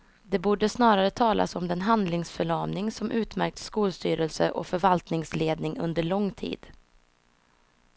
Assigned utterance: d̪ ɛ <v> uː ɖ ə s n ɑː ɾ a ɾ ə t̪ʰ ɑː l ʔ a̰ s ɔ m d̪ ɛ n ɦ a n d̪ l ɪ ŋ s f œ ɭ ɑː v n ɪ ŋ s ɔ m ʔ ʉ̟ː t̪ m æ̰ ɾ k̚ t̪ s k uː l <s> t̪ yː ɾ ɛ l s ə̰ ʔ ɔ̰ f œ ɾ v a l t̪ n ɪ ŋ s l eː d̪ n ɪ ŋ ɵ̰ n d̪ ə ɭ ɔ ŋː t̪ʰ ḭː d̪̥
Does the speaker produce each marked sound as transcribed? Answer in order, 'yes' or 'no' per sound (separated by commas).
no, yes